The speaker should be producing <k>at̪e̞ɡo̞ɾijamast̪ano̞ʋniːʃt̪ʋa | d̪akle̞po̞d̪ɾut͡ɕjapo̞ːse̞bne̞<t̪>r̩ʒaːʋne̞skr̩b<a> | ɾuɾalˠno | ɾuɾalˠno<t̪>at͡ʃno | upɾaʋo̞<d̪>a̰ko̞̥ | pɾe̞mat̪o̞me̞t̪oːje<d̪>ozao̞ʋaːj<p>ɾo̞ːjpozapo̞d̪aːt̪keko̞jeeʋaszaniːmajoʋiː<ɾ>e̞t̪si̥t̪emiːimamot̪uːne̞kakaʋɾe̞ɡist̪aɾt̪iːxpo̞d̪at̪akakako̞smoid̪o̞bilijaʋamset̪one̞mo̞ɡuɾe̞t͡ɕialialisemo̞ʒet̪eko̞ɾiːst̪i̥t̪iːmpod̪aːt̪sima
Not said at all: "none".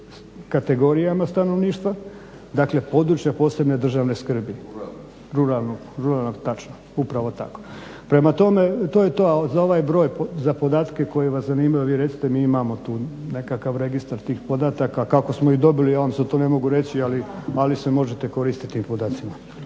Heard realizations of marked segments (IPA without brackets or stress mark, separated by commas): k, d̪, i, t̪, t̪, t̪, b, ɾ